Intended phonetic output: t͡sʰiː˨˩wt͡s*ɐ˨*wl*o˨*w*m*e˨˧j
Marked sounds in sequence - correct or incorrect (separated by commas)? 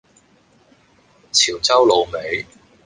incorrect, correct, correct